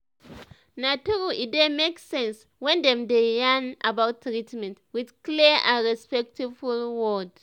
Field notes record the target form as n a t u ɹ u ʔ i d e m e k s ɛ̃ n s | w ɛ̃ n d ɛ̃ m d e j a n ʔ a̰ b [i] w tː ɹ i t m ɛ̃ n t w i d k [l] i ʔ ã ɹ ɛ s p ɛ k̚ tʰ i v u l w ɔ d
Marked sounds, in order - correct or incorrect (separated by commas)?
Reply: incorrect, correct